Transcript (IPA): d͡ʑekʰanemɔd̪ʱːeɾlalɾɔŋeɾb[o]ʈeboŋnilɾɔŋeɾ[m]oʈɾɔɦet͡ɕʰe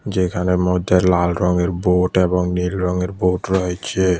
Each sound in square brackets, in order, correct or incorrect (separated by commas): correct, incorrect